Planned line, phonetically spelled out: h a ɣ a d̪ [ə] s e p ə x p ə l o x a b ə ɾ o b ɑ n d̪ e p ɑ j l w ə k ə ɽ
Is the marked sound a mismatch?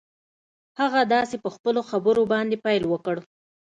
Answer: yes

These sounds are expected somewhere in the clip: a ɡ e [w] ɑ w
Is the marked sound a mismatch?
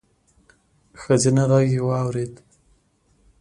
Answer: no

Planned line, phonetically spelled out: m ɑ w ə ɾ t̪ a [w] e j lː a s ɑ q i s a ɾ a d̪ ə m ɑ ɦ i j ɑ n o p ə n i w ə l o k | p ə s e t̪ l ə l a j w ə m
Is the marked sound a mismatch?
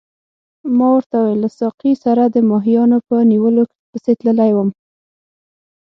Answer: no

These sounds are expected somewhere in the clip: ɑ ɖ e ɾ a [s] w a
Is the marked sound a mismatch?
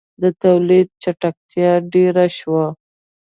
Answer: yes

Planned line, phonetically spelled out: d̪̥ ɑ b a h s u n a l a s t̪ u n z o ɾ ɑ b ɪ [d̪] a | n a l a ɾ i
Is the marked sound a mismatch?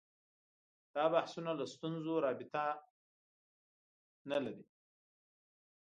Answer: yes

